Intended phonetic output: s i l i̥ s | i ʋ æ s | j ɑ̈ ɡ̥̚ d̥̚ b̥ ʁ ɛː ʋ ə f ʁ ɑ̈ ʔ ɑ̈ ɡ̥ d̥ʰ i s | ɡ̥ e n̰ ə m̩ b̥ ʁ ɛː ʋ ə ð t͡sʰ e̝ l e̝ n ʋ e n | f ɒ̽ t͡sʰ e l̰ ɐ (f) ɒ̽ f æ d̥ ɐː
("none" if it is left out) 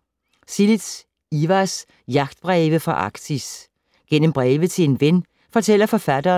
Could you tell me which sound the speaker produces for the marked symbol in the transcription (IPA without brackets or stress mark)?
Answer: f